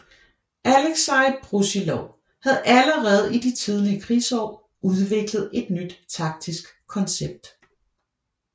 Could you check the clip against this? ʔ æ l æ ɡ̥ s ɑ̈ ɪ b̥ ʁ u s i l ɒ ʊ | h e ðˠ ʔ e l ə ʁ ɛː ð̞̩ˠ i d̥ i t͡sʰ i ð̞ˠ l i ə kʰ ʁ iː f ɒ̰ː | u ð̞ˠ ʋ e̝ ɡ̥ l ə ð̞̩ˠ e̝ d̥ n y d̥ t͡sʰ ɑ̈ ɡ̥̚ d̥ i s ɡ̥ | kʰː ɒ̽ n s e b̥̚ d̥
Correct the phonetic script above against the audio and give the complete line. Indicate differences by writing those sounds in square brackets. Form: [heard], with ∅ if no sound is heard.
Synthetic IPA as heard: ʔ æ l [e] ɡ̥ s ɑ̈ ɪ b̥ ʁ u s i l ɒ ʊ | h [æ] ðˠ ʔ [æ] l ə ʁ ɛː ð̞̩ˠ i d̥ i t͡sʰ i ð̞ˠ l i ə kʰ ʁ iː [s] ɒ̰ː | u ð̞ˠ ʋ e̝ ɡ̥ l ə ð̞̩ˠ e̝ d̥ n y d̥ t͡sʰ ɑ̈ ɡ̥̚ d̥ i s ɡ̥ | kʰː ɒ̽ n s e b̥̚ d̥